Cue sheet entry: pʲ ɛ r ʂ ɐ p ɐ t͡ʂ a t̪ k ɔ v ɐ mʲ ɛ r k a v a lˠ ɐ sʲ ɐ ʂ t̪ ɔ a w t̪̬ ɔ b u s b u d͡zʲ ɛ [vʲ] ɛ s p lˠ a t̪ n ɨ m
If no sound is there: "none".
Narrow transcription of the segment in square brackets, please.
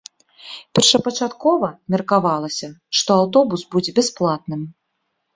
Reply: bʲ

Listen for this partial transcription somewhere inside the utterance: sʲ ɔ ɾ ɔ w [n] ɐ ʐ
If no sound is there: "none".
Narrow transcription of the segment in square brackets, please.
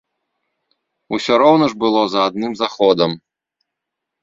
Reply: n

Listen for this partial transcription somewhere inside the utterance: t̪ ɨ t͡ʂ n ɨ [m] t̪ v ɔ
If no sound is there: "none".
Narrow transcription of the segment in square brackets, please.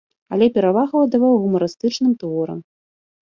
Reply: m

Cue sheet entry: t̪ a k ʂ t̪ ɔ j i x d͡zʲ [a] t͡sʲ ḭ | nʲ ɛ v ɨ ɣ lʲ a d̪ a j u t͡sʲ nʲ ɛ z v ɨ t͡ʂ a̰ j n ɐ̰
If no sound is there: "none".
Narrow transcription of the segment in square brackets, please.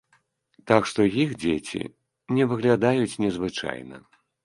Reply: e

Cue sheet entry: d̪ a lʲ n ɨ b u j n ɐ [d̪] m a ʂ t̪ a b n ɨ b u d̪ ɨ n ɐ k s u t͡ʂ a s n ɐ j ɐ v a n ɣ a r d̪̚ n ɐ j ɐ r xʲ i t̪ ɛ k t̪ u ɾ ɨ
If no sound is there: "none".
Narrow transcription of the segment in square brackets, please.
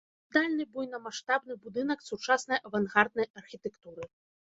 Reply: none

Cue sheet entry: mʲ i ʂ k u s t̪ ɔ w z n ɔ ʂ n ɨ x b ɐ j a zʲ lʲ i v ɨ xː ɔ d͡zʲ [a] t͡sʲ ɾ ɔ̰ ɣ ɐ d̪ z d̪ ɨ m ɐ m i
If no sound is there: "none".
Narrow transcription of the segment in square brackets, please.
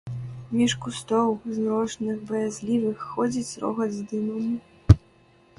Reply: i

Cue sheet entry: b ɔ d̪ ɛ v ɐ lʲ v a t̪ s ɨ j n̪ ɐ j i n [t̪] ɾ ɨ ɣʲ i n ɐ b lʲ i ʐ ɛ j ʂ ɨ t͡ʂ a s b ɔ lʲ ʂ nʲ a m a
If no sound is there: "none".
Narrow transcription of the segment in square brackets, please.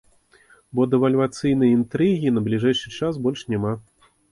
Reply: t̪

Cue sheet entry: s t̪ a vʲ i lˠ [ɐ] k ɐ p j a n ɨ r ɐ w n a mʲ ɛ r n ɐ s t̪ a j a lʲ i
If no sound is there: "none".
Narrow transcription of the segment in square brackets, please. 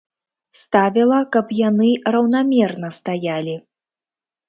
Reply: ɐ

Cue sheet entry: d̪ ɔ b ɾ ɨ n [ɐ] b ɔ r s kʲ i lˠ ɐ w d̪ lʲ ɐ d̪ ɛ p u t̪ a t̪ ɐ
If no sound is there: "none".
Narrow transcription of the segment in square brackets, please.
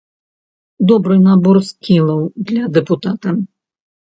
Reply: a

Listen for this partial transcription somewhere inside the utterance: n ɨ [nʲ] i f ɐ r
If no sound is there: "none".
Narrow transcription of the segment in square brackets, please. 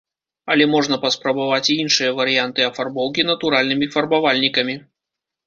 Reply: mʲ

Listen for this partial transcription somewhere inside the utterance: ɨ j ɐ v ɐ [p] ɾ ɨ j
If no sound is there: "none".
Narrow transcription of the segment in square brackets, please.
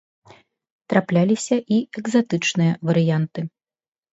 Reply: none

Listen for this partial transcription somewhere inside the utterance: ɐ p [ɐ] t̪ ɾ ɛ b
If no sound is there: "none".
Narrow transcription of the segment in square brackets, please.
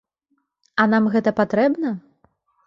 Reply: a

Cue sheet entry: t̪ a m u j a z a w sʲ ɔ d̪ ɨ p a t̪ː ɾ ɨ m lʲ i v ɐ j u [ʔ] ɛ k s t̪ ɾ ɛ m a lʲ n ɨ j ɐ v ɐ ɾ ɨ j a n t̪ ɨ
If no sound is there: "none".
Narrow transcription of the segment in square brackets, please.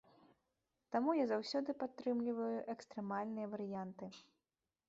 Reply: ʔ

